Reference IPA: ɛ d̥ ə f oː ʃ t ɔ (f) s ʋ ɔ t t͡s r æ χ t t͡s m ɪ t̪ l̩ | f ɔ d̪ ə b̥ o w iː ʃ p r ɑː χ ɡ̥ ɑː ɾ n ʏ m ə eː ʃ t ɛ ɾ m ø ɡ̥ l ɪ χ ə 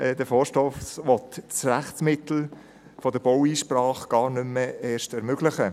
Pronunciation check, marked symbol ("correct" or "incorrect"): correct